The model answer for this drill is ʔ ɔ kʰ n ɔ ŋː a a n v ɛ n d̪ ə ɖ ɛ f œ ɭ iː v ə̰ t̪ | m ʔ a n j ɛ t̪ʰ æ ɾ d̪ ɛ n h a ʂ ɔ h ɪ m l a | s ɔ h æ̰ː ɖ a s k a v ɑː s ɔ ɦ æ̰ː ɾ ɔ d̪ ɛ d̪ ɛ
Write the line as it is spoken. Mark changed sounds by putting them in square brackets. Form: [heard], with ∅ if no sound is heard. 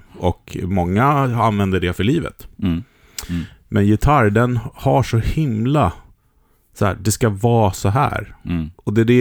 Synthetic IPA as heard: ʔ ɔ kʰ [m] ɔ ŋː a a n v ɛ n d̪ ə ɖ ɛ f œ ɭ iː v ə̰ t̪ | m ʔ [ɛ] n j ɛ t̪ʰ [a] ɾ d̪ ɛ n h a ʂ ɔ h ɪ m l a | s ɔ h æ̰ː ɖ [ɛ] s k a v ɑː s ɔ ɦ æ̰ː ɾ ɔ d̪ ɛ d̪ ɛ